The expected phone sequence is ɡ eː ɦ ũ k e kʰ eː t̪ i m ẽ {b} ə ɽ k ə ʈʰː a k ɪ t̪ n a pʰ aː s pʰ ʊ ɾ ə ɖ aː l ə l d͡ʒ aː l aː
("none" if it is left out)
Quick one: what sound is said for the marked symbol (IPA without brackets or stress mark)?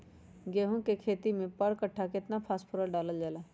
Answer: p